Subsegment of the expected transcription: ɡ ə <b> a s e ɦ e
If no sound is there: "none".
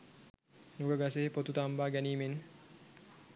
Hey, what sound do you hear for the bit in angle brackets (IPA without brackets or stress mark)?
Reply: ɡ